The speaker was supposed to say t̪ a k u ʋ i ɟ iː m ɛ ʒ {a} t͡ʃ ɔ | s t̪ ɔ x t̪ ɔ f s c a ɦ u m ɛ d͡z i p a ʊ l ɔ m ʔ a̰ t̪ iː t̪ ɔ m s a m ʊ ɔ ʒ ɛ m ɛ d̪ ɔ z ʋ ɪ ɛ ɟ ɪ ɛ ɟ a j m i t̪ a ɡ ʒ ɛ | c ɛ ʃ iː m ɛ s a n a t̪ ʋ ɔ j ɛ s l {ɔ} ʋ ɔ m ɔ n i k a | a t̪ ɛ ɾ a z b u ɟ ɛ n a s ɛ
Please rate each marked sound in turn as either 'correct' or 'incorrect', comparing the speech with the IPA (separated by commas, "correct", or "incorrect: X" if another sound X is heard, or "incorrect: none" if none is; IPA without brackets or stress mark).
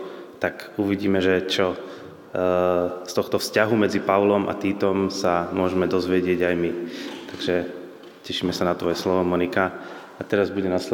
incorrect: ɛ, correct